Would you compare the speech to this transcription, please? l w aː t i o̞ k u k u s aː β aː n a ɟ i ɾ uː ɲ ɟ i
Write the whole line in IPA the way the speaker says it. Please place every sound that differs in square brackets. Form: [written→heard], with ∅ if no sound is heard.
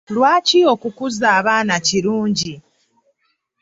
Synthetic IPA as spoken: l w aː [t→c] i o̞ k u k u [s→z] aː β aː n a [ɟ→c] i ɾ uː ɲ ɟ i